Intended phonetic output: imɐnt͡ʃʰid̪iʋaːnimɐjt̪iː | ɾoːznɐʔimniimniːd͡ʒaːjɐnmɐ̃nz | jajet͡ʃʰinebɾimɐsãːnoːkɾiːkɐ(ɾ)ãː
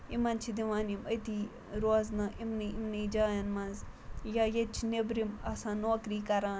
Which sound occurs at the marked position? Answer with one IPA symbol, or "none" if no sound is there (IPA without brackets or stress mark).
ɾ